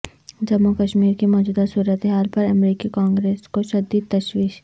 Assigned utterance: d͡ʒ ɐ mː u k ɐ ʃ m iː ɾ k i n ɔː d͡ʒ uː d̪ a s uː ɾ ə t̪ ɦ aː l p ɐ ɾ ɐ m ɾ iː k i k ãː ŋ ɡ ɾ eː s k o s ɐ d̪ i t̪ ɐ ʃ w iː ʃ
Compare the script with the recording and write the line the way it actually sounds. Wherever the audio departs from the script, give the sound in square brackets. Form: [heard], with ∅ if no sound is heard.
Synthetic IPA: d͡ʒ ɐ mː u k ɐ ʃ m iː ɾ k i [m] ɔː d͡ʒ uː d̪ a s uː ɾ ə t̪ ɦ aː l p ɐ ɾ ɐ m ɾ iː k i k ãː ŋ ɡ ɾ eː s k o [ʃ] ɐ d̪ i t̪ ɐ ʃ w iː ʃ